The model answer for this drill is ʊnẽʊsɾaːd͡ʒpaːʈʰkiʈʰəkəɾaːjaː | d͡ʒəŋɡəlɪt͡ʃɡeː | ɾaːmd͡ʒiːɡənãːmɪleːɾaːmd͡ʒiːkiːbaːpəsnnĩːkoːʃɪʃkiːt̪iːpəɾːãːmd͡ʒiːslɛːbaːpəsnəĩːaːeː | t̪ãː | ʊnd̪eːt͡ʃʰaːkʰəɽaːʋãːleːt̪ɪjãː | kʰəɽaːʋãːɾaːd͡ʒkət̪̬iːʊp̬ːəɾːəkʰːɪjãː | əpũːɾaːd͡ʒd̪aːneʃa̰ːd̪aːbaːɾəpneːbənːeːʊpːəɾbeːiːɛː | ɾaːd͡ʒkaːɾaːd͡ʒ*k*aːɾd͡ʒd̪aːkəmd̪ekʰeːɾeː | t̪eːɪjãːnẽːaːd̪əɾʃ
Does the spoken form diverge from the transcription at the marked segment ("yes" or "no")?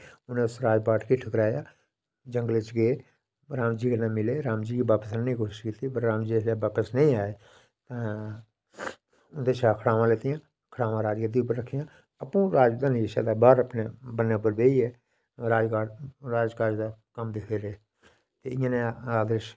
no